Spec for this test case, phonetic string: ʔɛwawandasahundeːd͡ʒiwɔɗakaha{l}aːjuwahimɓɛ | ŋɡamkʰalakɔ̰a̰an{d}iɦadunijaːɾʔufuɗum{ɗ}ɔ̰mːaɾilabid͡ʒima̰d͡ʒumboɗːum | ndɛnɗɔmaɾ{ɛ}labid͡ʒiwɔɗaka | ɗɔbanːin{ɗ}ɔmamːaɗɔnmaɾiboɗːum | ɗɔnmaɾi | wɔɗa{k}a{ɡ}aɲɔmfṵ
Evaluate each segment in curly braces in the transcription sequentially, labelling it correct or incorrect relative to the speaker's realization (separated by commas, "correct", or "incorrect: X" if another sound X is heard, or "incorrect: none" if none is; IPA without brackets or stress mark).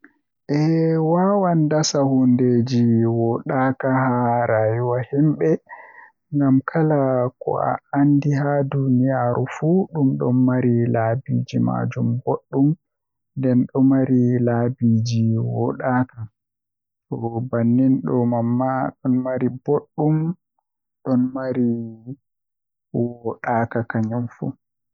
incorrect: ɾ, correct, correct, incorrect: i, correct, correct, incorrect: k